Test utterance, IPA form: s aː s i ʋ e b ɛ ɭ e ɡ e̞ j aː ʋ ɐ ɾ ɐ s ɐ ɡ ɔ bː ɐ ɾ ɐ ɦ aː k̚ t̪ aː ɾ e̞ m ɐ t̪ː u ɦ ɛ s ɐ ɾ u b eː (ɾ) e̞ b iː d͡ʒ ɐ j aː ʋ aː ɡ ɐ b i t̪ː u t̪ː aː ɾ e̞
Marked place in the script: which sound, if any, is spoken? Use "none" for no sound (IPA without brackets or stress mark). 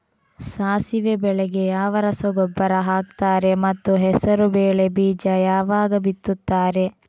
ɭ